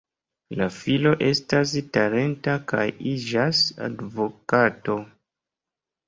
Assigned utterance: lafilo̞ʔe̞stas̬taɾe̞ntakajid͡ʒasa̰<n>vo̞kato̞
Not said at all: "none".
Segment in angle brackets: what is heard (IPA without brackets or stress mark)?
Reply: d